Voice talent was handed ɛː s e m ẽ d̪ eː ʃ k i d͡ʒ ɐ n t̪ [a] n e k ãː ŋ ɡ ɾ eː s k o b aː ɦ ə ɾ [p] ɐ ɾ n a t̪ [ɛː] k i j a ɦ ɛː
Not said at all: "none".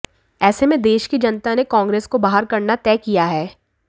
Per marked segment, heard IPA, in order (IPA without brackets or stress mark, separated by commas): a, k, ɛː